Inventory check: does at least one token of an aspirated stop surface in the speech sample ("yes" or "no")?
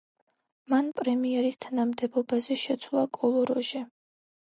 yes